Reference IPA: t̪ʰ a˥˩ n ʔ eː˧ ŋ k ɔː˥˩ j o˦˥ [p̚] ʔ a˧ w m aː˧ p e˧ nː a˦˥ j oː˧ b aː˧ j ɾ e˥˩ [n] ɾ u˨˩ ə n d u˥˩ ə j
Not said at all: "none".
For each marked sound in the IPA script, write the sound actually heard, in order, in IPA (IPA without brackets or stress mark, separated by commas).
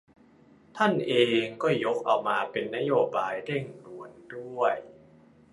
k̚, ŋ